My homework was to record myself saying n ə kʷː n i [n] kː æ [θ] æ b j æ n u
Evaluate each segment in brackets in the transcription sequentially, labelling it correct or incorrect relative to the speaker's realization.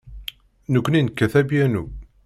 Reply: correct, correct

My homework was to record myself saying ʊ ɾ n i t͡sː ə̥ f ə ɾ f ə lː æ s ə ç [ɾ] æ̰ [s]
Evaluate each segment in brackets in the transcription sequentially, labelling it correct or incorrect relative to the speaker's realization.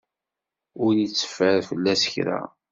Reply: correct, incorrect

